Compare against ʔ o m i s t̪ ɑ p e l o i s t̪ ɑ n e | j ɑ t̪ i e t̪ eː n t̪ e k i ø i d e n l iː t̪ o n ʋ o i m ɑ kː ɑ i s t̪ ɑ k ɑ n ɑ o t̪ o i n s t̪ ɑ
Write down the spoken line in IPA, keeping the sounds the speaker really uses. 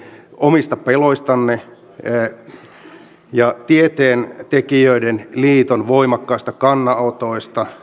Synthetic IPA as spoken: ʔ o m i s t̪ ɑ p e l o i s t̪ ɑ nː e | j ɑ t̪ i e t̪ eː n t̪ e k i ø i d e n l iː t̪ o n ʋ o i m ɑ kː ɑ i s t̪ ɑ k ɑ nː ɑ o t̪ o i s t̪ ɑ